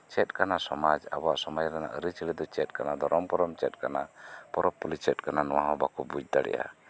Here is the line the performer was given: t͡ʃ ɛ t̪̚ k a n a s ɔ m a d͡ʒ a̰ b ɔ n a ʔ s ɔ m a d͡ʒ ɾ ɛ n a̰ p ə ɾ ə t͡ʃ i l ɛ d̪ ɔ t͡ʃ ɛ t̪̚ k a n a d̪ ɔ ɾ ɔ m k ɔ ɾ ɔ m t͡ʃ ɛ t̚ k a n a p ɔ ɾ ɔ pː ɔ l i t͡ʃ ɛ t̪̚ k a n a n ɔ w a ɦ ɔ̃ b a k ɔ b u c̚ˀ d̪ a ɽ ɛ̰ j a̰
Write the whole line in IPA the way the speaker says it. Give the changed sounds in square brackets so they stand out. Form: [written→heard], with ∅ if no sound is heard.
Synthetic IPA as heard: t͡ʃ ɛ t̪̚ k a n a s ɔ m a d͡ʒ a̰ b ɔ [n→∅] a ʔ s ɔ m a d͡ʒ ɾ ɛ n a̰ [p→ʔ] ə ɾ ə t͡ʃ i l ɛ d̪ ɔ t͡ʃ ɛ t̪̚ k a n a d̪ ɔ ɾ ɔ m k ɔ ɾ ɔ m t͡ʃ ɛ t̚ k a n a p ɔ ɾ ɔ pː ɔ l i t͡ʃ ɛ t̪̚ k a n a n ɔ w a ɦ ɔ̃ b a k ɔ b u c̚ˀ d̪ a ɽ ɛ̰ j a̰